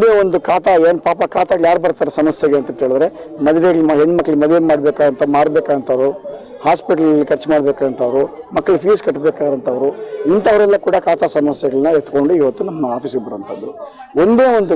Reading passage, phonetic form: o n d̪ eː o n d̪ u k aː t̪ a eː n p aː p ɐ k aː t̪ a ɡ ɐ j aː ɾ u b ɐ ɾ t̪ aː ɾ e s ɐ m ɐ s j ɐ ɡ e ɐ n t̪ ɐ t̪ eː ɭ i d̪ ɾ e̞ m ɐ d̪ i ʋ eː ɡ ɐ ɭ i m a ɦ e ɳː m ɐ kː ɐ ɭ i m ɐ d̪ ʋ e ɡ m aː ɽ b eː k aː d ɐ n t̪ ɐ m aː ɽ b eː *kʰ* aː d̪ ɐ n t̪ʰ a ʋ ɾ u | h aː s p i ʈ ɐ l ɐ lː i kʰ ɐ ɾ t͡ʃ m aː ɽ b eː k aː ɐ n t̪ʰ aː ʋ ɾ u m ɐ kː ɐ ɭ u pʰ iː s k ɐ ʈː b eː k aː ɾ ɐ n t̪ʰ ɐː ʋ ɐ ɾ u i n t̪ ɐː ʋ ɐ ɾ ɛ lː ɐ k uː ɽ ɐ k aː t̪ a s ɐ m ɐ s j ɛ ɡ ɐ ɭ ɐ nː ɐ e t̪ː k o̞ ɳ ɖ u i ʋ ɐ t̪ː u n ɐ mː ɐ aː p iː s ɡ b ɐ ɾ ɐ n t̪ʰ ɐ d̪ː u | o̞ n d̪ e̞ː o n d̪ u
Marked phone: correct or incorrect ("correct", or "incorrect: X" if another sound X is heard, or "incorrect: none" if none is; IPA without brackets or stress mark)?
incorrect: k